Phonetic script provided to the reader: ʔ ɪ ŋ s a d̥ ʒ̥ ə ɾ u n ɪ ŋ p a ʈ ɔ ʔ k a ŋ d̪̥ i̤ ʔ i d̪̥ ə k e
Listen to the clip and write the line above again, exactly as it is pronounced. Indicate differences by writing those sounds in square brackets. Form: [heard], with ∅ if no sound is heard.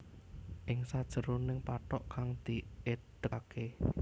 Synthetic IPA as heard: ʔ ɪ ŋ s a d̥ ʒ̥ ə ɾ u n ɪ ŋ p a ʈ ɔ ʔ k a ŋ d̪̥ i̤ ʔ [e] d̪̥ ə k e